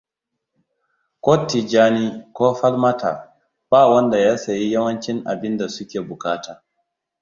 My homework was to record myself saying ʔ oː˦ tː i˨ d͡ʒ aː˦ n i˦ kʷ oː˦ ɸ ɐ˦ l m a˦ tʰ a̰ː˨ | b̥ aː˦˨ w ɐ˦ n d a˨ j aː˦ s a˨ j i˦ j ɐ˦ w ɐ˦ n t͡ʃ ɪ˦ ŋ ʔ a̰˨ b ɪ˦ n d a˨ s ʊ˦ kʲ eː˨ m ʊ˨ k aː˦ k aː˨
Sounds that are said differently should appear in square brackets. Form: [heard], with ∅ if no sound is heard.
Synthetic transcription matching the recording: [k] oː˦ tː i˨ d͡ʒ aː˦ n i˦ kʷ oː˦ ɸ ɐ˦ l m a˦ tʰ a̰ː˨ | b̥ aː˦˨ w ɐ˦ n d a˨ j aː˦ s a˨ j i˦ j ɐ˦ w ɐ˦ n t͡ʃ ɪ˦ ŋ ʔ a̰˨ b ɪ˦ n d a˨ s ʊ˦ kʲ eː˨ [b] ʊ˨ k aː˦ [t] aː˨